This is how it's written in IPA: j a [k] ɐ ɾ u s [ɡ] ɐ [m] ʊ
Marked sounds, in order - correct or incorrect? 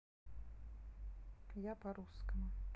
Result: incorrect, incorrect, correct

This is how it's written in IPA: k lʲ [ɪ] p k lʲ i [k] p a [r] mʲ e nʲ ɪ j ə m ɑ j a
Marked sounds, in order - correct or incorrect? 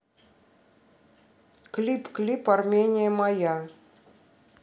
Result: incorrect, incorrect, correct

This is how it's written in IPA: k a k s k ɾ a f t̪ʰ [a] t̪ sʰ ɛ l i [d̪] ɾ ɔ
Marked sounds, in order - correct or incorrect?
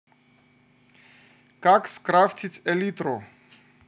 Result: incorrect, incorrect

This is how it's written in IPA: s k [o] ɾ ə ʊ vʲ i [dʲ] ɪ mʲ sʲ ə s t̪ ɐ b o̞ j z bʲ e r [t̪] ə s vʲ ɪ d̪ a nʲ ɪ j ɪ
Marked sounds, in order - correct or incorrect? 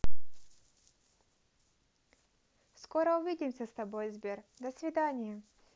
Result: correct, correct, incorrect

